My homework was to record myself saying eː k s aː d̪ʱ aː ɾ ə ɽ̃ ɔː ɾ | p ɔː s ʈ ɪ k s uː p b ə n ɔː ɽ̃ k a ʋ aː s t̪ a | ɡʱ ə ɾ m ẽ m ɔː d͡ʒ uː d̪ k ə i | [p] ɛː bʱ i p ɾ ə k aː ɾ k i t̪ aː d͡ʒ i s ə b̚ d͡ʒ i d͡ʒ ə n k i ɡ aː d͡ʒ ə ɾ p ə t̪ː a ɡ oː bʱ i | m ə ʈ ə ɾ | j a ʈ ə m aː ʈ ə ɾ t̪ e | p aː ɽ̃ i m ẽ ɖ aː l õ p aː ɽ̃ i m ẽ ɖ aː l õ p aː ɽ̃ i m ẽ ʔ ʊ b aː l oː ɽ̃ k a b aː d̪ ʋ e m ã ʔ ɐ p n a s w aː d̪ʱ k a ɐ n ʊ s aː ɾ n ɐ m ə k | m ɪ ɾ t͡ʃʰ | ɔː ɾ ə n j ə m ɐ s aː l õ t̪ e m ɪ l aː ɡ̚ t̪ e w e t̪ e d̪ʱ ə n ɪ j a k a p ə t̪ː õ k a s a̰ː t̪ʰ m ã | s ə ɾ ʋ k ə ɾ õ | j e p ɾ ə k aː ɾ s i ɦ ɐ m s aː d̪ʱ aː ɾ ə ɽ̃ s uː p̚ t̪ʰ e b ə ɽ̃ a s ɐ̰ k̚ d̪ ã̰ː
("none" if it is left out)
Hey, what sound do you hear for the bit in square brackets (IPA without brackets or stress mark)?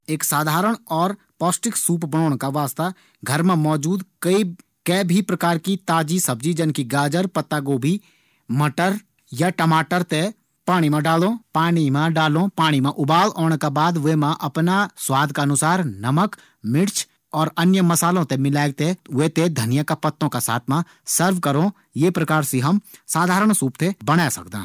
k